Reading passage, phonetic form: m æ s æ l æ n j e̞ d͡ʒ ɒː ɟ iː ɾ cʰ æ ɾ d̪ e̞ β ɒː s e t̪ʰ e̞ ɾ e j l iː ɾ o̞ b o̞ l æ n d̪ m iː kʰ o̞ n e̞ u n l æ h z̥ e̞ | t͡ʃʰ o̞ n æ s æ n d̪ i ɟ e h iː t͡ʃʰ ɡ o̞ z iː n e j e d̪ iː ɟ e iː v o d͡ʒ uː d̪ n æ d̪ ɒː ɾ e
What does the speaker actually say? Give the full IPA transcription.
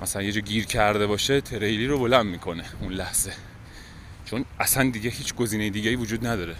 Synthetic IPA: m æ s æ l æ n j e̞ d͡ʒ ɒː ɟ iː ɾ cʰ æ ɾ d̪ e̞ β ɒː ʃ e t̪ʰ e̞ ɾ e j l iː ɾ o̞ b o̞ l æ n d̪ m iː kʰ o̞ n e̞ u n l æ h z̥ e̞ | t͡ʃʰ o̞ n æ s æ n d̪ i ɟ e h iː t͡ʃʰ ɡ o̞ z iː n e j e d̪ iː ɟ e iː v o d͡ʒ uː d̪ n æ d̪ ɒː ɾ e